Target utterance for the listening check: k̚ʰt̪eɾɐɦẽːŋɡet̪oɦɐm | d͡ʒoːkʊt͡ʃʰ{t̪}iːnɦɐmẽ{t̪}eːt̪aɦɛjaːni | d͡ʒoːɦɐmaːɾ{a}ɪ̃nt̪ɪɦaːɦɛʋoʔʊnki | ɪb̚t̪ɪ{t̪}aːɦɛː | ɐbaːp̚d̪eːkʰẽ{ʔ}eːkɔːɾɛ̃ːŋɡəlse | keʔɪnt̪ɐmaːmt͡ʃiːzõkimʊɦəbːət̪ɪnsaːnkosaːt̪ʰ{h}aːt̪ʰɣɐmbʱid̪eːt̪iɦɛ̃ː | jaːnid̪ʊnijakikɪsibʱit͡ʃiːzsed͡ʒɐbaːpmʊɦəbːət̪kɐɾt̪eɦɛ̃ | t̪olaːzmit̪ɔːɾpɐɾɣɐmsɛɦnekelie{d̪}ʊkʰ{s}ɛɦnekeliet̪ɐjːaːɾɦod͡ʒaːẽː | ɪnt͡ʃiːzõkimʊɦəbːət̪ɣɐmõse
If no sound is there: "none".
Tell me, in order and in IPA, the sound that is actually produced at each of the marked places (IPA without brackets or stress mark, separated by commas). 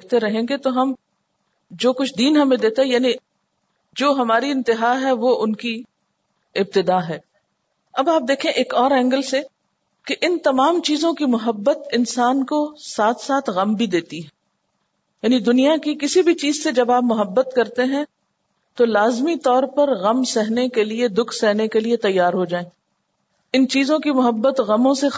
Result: d̪, d̪, i, d̪, ʔ, s, d̪, s